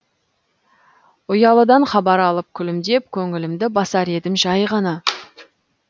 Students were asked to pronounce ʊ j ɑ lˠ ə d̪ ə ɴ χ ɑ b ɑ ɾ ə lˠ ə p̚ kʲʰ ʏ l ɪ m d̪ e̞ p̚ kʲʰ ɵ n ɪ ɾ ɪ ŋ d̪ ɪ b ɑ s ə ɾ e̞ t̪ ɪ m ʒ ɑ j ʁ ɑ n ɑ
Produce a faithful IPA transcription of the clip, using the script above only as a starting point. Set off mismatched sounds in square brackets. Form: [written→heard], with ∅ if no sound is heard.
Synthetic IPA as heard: ʊ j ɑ lˠ ə d̪ [ə→ɑ] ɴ χ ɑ b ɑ ɾ [ə→ɑ] lˠ ə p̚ kʲʰ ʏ l ɪ m d̪ e̞ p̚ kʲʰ ɵ [n→ŋ] ɪ [ɾ→l] ɪ [ŋ→m] d̪ ɪ b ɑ s [ə→ɑ] ɾ e̞ [t̪→d̪] ɪ m ʒ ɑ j ʁ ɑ n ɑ